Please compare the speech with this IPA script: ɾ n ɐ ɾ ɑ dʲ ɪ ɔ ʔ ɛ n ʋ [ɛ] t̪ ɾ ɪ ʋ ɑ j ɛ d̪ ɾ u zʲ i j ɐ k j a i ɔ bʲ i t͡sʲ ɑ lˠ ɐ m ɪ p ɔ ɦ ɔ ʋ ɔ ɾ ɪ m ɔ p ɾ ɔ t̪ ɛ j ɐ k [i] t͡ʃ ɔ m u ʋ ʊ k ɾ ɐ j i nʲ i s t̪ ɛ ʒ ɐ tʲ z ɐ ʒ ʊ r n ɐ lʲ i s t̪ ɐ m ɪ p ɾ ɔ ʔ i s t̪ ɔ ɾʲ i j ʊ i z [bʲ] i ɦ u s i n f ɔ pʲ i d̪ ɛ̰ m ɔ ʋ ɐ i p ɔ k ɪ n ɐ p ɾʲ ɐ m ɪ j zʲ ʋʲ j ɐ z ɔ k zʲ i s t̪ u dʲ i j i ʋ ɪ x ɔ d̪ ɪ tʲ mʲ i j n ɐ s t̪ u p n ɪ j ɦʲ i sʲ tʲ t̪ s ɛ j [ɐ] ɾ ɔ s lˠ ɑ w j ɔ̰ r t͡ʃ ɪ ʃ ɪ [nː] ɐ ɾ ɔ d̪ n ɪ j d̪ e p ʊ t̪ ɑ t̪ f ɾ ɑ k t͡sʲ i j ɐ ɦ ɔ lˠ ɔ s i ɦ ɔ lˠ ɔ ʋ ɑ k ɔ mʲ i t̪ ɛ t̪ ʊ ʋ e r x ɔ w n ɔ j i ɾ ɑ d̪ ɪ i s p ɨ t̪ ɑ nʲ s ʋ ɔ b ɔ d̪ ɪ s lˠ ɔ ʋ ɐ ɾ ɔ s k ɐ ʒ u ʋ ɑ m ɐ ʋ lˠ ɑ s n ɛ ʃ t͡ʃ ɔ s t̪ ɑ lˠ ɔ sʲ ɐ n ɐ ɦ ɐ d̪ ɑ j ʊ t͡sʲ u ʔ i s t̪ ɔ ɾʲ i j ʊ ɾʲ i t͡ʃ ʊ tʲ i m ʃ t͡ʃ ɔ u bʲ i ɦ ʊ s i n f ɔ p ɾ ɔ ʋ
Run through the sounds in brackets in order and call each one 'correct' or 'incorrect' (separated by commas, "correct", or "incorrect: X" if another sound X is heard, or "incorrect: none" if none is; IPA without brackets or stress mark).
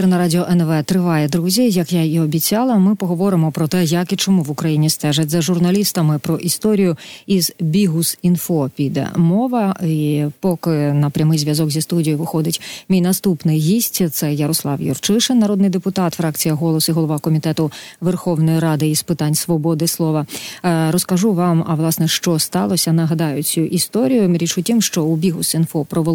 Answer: correct, correct, correct, correct, correct